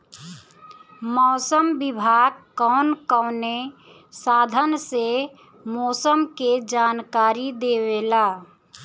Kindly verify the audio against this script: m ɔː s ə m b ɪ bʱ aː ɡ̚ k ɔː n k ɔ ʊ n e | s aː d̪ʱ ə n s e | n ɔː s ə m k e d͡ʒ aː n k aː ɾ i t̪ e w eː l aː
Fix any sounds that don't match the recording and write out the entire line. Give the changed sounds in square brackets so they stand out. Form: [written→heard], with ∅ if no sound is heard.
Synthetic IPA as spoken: m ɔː s ə m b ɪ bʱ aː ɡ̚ k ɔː n k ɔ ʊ n e | s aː d̪ʱ ə n s e | [n→m] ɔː s ə m k e d͡ʒ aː n k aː ɾ i [t̪→d̪] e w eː l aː